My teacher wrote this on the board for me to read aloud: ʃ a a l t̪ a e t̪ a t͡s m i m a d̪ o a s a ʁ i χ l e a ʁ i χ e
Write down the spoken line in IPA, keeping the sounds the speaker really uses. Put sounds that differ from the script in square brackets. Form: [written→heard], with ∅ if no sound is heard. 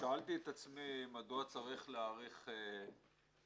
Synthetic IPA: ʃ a a l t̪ [a→i] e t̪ a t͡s m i m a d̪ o a [s→t͡s] a ʁ i χ l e a ʁ i χ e